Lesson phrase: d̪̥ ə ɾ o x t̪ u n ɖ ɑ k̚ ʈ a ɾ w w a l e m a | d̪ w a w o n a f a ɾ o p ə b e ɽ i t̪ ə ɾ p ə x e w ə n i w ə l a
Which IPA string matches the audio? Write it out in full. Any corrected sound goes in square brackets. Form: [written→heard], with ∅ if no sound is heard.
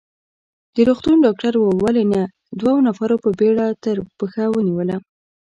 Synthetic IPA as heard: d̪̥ ə ɾ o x t̪ u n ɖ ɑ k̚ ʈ a ɾ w w a l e [m→n] a | d̪ w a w o n a f a ɾ o p ə b e ɽ [i→a] t̪ ə ɾ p ə x [e→a] w ə n i w ə l a